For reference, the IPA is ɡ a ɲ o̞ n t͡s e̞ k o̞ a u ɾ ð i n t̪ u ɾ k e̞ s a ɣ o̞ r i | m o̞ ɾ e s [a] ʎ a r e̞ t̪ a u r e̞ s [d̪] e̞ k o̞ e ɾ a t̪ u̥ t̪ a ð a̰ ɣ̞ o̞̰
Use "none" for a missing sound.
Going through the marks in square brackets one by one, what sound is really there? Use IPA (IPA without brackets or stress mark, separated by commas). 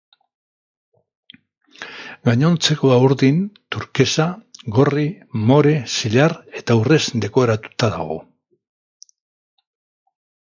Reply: i, d̪